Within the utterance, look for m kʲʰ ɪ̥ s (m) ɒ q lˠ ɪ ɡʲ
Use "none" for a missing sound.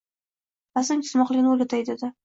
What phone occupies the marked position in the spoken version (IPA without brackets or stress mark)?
m